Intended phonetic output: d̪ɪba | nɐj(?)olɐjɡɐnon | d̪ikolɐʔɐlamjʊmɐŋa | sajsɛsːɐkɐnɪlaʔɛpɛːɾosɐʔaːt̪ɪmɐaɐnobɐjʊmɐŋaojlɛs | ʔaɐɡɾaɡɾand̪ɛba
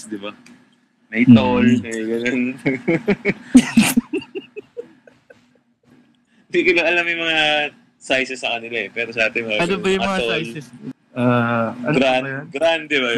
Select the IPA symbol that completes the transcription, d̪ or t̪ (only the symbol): t̪